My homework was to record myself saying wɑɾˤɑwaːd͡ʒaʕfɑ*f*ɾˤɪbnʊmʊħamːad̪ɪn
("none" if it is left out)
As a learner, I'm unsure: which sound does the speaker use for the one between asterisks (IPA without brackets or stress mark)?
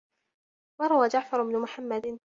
none